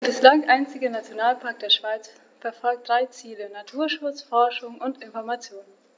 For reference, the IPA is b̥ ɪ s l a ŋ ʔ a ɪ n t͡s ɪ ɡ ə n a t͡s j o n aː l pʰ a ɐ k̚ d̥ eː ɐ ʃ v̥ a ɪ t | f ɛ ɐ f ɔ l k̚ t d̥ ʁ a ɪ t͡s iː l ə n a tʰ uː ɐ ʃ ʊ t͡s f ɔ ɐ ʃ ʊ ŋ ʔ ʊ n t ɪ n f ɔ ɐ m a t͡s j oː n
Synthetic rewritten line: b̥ ɪ s l a ŋ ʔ a ɪ n t͡s ɪ ɡ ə n a t͡s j o n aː l pʰ a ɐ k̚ d̥ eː ɐ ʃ v̥ a ɪ t͡s | f ɛ ɐ f ɔ l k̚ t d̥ ʁ a ɪ t͡s iː l ə n a tʰ uː ɐ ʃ ʊ t͡s f ɔ ɐ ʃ ʊ ŋ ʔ ʊ n t ɪ n f ɔ ɐ m a t͡s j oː n